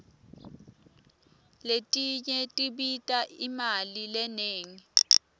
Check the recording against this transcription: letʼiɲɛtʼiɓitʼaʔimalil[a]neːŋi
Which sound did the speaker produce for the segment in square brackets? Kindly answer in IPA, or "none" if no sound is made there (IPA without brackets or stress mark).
ɛ